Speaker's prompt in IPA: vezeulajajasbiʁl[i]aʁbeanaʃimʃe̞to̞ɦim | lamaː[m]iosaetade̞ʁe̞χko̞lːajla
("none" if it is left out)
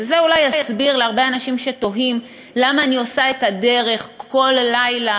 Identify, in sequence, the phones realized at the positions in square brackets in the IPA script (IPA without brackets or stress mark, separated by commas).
e, n